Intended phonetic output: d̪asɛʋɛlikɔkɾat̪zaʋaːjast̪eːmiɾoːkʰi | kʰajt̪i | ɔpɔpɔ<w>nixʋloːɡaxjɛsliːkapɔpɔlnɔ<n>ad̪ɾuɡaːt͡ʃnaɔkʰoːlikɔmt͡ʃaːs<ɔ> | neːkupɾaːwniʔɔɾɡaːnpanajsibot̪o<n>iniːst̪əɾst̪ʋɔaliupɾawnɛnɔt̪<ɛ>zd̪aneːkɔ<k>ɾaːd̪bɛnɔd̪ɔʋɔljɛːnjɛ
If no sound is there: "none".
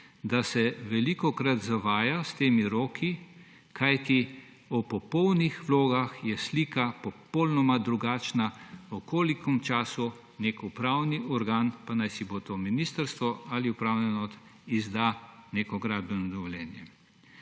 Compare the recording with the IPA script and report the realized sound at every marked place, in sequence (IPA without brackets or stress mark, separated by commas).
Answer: w, m, u, m, i, ɡ